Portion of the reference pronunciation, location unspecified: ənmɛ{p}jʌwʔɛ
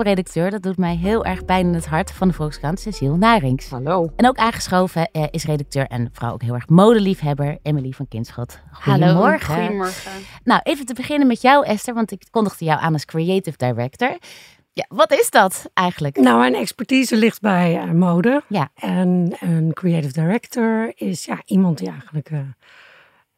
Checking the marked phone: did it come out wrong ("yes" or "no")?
yes